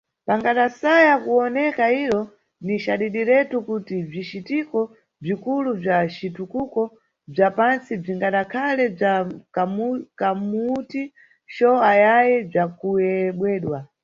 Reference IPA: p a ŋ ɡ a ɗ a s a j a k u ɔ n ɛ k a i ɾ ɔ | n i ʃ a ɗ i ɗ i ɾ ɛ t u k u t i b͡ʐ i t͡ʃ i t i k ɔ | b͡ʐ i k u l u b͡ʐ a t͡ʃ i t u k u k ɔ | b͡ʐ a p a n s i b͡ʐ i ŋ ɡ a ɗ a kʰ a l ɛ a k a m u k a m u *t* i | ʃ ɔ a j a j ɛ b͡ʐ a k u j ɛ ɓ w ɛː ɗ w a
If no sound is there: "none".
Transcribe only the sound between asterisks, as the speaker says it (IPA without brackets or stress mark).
t